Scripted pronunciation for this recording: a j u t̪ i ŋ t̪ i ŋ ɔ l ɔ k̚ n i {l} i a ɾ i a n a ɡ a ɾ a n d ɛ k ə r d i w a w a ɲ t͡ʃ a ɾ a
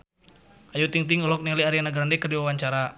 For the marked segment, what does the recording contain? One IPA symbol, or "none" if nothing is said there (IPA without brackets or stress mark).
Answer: l